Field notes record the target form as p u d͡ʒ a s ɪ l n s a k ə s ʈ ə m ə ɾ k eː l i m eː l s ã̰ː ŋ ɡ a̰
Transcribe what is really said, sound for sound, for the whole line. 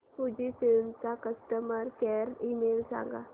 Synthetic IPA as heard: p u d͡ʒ i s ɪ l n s a k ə s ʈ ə m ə ɾ k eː ɾ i m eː l s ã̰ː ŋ ɡ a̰

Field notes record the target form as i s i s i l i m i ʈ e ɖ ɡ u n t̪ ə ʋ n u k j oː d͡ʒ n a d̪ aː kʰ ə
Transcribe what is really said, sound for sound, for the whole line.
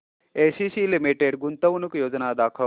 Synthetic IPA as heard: e s i s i l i m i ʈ e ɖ ɡ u n t̪ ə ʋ n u k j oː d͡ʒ n a d̪ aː kʰ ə

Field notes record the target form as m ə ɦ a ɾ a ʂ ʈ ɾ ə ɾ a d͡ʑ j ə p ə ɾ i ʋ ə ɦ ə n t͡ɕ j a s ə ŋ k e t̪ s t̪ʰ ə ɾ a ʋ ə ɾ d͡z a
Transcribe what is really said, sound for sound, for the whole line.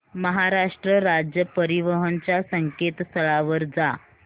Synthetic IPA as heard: m ə ɦ a ɾ a ʂ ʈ ɾ ə ɾ a d͡ʑ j ə p ə ɾ i ʋ ə ɦ ə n t͡ɕ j a s ə ŋ k e t̪ s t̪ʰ ə ɭ a ʋ ə ɾ d͡z a

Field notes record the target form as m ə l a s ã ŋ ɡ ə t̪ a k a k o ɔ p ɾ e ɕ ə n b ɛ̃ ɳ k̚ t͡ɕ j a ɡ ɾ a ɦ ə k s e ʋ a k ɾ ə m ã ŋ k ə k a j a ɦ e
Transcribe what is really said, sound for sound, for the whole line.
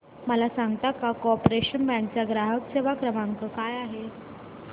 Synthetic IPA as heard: m ə l a s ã ŋ ɡ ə t̪ a k a k o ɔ p ɾ e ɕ ə n b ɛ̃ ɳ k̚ t͡ɕ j a ɡ ɾ a ɦ ə k s e ʋ a k ɾ ə m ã ŋ k ə k a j a ɦ e

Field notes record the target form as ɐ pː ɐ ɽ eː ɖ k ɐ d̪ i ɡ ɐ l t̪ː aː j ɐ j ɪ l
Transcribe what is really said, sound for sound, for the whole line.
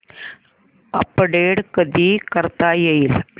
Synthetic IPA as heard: ɐ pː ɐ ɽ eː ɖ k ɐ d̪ i k ɐ ɾ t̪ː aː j ɐ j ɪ l

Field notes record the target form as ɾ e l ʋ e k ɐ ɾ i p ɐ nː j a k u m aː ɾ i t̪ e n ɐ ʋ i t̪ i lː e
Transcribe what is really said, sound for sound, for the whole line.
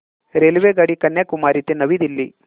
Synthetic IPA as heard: ɾ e l ʋ e ɡ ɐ ɽ i k ɐ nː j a k u m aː ɾ i t̪ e n ɐ ʋ i d̪ i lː i

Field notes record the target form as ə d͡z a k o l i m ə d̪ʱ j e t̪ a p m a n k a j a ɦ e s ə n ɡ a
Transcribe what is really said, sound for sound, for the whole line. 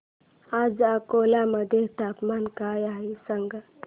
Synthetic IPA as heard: a d͡z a k o l a m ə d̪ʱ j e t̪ a p m a n k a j a ɦ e s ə ŋ ɡ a

